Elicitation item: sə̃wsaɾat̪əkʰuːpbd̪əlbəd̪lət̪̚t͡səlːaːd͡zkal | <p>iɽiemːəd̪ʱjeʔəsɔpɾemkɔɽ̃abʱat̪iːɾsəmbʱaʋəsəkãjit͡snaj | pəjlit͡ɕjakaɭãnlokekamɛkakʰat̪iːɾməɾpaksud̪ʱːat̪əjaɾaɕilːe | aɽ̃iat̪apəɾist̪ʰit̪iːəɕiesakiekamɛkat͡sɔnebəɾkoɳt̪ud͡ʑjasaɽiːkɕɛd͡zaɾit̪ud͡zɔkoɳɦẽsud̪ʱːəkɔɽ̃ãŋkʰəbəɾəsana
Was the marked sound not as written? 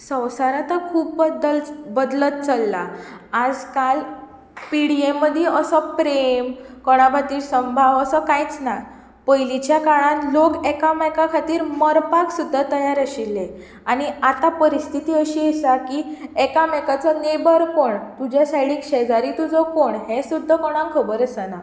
no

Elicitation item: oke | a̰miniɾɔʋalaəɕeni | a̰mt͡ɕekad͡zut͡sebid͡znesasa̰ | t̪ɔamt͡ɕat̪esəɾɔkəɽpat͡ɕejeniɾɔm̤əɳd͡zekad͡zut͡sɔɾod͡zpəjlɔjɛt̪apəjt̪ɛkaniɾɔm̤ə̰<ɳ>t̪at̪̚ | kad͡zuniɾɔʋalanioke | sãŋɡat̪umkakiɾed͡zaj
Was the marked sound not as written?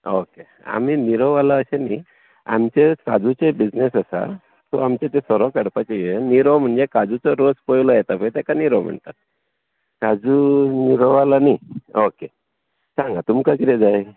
no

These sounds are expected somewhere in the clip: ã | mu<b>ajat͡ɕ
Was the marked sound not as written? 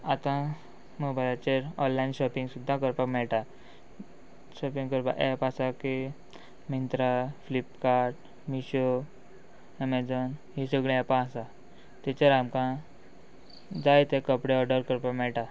no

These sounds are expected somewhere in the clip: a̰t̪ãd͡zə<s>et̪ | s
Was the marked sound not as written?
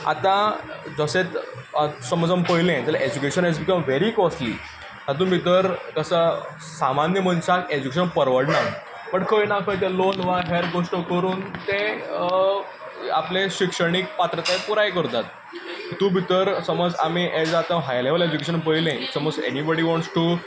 no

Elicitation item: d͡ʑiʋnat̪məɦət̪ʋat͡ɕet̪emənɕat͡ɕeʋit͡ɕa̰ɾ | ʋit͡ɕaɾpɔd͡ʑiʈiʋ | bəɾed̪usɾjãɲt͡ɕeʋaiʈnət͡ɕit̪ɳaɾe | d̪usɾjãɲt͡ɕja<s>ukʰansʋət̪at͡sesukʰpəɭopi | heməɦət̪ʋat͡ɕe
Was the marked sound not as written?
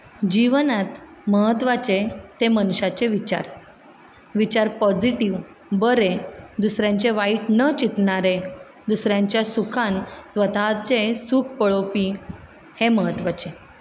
no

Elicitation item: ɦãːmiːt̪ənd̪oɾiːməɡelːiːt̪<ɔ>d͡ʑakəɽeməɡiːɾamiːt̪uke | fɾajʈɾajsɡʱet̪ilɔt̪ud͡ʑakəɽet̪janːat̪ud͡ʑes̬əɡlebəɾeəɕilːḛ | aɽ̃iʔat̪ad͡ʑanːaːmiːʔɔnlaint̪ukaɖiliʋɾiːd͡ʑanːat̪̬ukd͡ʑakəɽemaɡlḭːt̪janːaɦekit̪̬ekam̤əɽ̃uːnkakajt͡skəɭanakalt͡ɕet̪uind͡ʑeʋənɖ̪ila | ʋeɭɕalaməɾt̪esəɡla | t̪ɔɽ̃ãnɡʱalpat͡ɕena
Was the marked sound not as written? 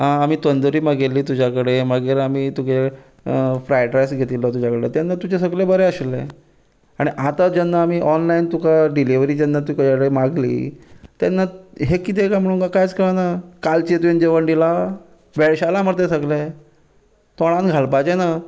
yes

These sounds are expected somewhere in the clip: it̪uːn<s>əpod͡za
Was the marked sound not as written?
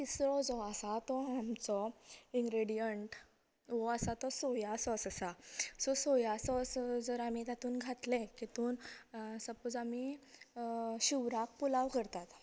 no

